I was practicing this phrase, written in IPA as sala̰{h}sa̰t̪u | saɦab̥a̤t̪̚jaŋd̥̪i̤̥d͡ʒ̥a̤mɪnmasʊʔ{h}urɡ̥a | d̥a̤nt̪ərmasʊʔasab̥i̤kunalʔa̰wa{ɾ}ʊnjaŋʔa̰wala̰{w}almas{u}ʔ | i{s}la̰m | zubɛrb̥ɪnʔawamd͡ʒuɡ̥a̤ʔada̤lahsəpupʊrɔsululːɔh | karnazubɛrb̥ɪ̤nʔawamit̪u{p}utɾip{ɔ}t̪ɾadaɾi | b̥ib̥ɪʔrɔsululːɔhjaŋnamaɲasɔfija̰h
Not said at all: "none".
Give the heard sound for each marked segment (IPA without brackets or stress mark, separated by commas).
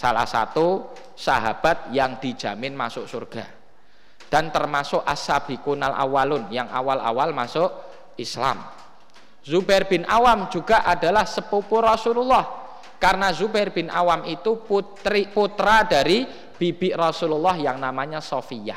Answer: h, s, l, w, ʊ, s, p, u